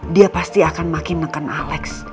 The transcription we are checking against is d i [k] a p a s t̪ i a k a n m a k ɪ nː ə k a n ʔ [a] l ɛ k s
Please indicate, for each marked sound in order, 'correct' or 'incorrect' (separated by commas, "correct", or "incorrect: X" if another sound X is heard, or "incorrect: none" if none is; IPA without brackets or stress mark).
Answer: incorrect: none, correct